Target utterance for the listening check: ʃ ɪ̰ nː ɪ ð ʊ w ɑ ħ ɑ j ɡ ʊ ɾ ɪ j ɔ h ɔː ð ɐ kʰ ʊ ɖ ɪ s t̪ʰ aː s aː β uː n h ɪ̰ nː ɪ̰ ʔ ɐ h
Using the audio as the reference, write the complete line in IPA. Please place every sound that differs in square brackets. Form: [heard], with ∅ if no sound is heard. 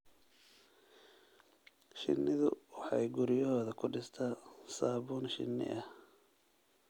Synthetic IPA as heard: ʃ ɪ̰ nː ɪ ð ʊ w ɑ ħ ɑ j ɡ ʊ ɾ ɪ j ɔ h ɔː ð ɐ kʰ ʊ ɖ ɪ s t̪ʰ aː s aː β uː n [ʃ] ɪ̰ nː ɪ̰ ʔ ɐ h